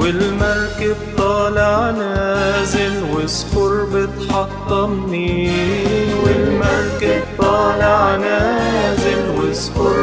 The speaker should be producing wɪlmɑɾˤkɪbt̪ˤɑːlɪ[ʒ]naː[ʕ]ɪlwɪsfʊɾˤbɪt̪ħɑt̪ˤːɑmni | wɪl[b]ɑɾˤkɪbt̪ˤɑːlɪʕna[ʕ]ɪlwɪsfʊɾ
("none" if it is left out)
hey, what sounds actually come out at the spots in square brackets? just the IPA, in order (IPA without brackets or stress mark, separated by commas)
ʕ, z, m, z